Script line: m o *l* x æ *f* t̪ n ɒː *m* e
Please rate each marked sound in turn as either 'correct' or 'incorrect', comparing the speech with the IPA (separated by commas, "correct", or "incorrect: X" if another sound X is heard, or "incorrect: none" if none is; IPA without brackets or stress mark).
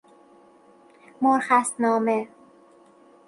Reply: incorrect: ɾ, incorrect: s, correct